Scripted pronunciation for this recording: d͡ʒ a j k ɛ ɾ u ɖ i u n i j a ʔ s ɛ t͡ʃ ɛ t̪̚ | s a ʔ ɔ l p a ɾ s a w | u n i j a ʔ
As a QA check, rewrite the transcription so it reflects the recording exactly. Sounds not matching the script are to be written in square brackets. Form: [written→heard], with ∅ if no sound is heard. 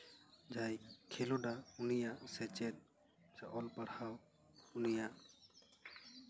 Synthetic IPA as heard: d͡ʒ a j [k→kʰ] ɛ [ɾ→l] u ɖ [i→a] u n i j a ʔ s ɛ t͡ʃ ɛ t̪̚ | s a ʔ ɔ l p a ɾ [s→h] a w | u n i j a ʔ